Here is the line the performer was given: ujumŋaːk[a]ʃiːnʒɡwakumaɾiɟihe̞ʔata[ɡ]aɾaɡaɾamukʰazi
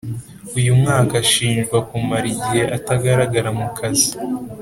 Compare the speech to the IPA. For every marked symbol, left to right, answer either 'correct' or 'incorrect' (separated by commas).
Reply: correct, correct